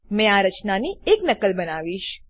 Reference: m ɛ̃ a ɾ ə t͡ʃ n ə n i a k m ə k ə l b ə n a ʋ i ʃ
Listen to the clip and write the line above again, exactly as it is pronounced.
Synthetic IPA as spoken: m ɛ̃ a ɾ ə t͡ʃ n a n i e k n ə k ə l b ə n a ʋ i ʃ